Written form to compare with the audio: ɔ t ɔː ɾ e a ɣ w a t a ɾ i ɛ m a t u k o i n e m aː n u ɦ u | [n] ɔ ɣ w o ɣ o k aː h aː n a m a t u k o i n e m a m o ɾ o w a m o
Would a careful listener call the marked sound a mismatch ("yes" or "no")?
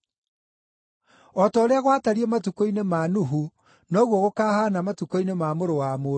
no